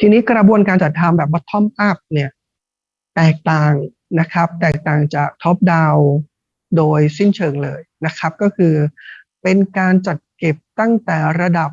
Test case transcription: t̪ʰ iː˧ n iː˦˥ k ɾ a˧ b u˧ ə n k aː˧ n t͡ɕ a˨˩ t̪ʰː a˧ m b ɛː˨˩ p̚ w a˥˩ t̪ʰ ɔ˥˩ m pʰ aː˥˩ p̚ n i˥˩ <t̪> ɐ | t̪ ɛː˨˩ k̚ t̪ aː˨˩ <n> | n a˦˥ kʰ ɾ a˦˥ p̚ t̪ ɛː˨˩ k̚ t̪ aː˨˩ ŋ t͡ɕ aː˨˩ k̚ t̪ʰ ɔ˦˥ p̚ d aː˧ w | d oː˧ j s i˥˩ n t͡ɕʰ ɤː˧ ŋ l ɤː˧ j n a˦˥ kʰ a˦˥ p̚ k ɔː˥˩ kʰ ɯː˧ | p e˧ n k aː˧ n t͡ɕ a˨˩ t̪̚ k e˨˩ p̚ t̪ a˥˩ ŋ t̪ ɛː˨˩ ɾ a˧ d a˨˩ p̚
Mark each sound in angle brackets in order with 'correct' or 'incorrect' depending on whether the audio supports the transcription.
incorrect: none, incorrect: ŋ

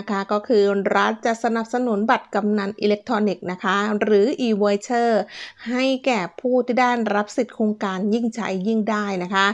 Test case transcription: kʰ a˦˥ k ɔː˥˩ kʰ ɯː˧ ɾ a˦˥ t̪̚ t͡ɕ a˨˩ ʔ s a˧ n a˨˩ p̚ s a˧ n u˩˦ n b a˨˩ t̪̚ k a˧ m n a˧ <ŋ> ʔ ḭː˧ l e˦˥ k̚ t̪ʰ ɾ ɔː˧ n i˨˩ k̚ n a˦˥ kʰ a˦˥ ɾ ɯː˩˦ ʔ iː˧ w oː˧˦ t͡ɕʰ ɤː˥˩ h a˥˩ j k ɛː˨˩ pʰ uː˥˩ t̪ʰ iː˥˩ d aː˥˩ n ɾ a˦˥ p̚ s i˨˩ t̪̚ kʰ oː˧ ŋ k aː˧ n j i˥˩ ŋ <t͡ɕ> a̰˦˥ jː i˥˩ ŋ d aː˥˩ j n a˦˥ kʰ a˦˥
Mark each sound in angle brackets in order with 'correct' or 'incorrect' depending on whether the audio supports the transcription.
incorrect: n, incorrect: t͡ɕʰ

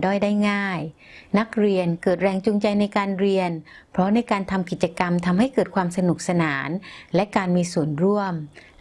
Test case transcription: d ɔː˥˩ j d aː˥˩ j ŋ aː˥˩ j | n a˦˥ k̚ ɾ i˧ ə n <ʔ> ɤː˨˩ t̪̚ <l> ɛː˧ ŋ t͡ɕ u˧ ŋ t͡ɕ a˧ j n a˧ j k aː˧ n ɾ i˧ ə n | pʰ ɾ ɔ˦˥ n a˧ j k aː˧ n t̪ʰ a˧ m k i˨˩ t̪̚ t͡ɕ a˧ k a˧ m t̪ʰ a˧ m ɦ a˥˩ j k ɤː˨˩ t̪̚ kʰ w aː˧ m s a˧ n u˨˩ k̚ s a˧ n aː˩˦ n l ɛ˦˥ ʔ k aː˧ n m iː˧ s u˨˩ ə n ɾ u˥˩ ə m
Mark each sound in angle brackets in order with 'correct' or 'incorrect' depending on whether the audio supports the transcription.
incorrect: k, incorrect: ɾ

